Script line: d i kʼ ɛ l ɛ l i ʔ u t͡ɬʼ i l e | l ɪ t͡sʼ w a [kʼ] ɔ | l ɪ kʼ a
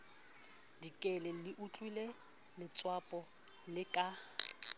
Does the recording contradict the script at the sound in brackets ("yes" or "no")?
yes